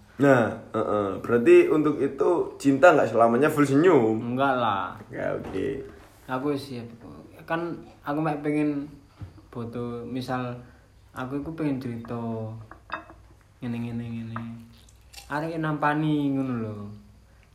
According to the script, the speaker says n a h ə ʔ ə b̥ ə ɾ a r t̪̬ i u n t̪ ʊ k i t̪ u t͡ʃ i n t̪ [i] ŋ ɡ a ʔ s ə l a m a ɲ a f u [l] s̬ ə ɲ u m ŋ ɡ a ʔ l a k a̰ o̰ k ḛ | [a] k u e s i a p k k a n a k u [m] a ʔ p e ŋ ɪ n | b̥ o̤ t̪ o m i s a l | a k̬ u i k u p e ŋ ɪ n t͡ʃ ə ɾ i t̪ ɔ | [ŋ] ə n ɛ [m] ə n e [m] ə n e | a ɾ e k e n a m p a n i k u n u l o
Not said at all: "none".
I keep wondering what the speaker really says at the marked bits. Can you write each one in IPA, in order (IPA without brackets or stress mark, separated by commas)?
a, l, a, m, ŋ, ŋ, ŋ